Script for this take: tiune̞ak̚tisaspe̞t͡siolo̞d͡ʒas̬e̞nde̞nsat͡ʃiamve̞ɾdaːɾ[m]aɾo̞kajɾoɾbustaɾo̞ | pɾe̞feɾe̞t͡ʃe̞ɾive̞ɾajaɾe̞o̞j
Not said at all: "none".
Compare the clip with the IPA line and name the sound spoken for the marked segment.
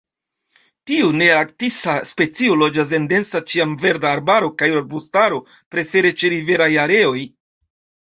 b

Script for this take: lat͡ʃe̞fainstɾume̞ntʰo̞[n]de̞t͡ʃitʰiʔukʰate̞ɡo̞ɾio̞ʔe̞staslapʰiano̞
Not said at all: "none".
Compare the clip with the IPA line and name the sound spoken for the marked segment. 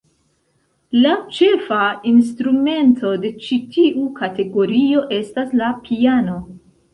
none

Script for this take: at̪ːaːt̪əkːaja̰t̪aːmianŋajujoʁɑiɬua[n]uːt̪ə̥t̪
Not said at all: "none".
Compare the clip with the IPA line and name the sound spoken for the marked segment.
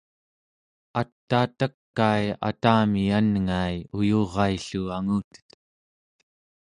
ŋ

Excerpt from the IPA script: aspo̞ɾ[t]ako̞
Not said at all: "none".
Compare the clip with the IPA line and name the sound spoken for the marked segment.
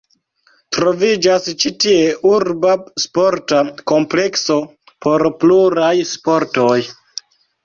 t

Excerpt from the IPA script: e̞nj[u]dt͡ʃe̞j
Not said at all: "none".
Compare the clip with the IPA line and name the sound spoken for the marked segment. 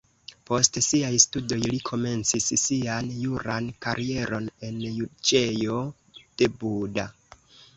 u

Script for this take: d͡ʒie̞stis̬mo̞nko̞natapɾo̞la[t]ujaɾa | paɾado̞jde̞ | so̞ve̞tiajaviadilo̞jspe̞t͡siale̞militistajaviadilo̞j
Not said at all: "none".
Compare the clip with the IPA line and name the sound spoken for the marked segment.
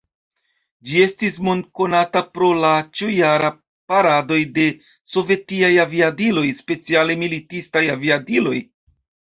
t͡ʃ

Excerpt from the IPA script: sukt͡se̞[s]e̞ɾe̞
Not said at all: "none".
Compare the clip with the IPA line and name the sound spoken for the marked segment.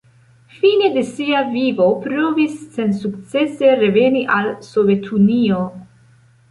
s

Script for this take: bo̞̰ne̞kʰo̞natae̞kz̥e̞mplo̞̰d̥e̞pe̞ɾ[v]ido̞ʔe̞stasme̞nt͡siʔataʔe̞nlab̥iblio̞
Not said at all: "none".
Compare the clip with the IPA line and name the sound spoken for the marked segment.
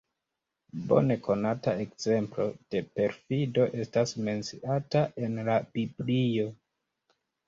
f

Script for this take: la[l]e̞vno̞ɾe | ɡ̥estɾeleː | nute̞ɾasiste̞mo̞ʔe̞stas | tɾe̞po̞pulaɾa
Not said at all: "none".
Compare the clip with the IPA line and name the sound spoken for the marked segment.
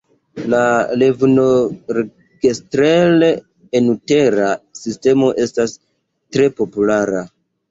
l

